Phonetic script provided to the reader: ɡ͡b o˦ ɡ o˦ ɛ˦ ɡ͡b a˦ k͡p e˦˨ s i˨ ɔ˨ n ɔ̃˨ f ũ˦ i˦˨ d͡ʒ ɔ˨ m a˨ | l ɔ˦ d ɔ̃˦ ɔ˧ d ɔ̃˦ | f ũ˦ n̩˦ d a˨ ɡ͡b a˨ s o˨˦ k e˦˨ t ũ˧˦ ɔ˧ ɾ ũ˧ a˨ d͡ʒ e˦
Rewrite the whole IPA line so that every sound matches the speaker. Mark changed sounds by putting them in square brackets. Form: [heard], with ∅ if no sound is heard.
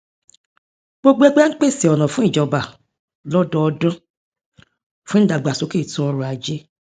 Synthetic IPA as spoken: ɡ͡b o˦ [ɡ͡b] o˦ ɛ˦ ɡ͡b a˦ k͡p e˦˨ s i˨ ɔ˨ n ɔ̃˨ f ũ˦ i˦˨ d͡ʒ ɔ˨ [b] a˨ | l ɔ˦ d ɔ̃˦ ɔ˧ d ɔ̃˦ | f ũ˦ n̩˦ d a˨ ɡ͡b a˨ s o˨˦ k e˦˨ t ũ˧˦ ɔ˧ ɾ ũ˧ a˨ d͡ʒ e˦